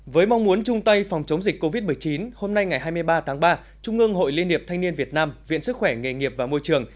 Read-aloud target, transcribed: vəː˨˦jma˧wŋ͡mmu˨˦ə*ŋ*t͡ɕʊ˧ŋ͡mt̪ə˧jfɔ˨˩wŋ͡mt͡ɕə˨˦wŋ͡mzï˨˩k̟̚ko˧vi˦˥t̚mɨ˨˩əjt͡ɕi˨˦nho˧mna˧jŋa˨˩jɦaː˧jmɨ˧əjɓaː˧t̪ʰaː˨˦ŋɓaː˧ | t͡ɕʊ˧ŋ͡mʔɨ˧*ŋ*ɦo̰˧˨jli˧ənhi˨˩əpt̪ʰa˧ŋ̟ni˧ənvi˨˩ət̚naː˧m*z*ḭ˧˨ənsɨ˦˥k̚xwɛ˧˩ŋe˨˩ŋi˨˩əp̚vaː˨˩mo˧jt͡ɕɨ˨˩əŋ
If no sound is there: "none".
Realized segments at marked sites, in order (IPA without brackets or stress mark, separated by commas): n, ŋ, v